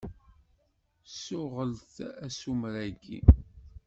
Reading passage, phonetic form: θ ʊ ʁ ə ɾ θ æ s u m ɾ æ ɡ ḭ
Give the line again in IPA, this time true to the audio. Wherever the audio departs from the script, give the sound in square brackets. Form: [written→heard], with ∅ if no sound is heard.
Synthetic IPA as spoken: [θ→s] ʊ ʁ ə [ɾ→l] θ æ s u m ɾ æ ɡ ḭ